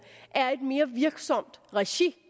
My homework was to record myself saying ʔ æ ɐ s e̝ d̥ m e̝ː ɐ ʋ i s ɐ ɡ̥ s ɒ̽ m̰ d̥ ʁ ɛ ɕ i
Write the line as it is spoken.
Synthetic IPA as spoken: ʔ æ ɐ e̝ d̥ m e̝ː ɐ ʋ i ɐ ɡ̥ s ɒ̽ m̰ d̥ ʁ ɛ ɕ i